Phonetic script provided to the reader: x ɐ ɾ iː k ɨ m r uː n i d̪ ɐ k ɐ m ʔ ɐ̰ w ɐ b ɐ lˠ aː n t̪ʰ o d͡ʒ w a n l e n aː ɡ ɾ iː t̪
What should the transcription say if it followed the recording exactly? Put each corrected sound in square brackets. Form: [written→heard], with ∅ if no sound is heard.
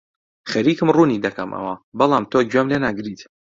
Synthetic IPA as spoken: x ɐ ɾ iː k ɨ m r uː n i d̪ ɐ k ɐ m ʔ ɐ̰ w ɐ b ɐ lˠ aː [n→m] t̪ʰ o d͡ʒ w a [n→m] l e n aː ɡ ɾ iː t̪

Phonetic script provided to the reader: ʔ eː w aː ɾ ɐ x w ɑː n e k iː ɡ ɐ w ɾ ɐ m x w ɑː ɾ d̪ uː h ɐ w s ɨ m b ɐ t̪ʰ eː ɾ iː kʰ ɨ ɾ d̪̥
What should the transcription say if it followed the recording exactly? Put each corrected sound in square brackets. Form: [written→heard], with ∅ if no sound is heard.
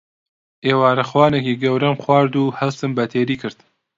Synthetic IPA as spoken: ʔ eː w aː ɾ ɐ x w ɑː n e k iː ɡ ɐ w ɾ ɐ m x w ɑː ɾ d̪ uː h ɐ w s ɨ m b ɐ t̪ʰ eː ɾ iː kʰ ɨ ɾ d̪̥

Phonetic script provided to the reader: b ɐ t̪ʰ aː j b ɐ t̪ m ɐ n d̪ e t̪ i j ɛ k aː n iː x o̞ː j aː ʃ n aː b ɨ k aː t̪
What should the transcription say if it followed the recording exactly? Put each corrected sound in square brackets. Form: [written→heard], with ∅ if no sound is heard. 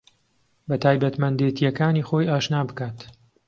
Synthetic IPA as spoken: b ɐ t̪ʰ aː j b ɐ t̪ m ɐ n d̪ e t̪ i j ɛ k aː n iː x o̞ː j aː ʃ n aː b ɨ k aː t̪

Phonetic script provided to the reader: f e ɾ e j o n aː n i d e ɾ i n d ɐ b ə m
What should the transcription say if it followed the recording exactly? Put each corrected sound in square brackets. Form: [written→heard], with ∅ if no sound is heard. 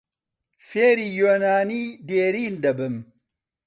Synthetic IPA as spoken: f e ɾ [e→i] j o n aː n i d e ɾ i n d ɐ b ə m

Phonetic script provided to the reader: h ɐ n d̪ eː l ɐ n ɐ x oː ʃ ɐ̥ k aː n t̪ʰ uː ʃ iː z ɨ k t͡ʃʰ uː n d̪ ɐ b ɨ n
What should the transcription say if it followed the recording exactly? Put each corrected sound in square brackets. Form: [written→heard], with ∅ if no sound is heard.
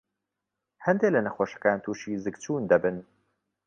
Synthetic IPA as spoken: h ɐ n d̪ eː l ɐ n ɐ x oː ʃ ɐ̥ k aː n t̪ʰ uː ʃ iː z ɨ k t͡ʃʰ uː n d̪ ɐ b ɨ n

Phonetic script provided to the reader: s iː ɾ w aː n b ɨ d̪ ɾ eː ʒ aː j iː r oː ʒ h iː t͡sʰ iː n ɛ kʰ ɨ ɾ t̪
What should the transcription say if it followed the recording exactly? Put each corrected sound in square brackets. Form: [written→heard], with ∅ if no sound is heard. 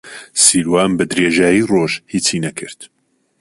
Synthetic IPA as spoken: s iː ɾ w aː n b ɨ d̪ ɾ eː ʒ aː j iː r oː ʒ h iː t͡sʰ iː n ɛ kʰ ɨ ɾ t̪

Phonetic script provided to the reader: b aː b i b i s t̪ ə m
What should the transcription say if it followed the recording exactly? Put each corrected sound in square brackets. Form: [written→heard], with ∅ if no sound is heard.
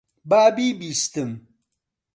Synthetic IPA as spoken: b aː b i b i s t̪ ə m

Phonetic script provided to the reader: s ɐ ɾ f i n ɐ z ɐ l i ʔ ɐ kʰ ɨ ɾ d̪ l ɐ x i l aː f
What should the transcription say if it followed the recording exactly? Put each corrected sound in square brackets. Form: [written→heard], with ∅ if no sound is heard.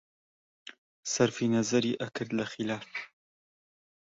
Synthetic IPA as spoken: s ɐ ɾ f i n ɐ z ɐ [l→ɾ] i ʔ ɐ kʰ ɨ ɾ d̪ l ɐ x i l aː f

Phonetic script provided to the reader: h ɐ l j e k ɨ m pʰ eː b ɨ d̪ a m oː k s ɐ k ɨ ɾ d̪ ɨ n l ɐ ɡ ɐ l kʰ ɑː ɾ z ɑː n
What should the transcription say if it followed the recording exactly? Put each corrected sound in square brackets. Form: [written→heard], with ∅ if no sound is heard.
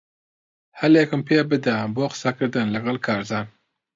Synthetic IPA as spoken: h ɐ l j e k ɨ m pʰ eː b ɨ d̪ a [m→b] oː [k→q] s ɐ k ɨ ɾ d̪ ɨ n l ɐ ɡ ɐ l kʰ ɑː ɾ z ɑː n

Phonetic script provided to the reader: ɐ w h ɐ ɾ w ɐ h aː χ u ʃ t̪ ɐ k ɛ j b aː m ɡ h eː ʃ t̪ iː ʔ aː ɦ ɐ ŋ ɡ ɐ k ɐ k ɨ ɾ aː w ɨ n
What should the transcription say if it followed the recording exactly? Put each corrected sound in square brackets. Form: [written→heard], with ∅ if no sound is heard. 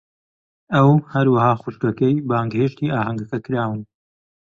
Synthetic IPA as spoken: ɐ w h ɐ ɾ w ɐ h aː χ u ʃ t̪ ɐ k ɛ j b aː [m→ŋ] ɡ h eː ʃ t̪ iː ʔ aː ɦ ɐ ŋ ɡ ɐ k ɐ k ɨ ɾ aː w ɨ n

